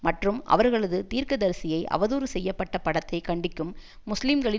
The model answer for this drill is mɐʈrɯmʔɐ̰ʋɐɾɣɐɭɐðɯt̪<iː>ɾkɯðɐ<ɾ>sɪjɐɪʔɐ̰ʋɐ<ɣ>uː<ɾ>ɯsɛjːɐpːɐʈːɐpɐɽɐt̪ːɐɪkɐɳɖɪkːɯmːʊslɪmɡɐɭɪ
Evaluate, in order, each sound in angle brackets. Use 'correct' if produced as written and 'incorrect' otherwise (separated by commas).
correct, correct, incorrect, correct